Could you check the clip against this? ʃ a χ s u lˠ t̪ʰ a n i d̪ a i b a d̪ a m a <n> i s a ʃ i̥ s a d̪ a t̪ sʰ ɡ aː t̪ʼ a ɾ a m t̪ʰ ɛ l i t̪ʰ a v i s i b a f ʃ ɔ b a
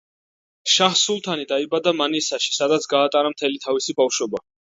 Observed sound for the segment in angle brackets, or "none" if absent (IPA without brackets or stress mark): n